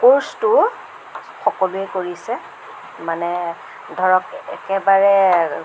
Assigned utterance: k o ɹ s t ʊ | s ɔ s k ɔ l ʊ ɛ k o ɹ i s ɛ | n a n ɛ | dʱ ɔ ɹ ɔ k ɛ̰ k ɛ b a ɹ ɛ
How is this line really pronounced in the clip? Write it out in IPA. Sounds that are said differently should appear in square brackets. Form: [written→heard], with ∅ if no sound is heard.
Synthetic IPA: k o ɹ s t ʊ | [s→x] ɔ [s→∅] k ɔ l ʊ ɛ k o ɹ i s ɛ | [n→m] a n ɛ | dʱ ɔ ɹ ɔ k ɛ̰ k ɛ b a ɹ ɛ